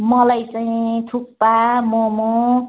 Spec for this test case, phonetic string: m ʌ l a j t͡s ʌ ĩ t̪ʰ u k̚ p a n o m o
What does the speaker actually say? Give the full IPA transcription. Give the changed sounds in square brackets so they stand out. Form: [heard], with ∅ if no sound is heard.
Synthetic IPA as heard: m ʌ l a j t͡s [a] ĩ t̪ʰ u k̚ p a [m] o m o